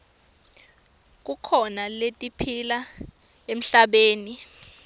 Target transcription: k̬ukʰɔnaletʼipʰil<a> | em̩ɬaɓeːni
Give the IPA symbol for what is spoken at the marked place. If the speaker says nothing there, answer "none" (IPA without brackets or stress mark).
a